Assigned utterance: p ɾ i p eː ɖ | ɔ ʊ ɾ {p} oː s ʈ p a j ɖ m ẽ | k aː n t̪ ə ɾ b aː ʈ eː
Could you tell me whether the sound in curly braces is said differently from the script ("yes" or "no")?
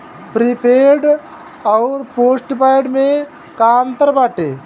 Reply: no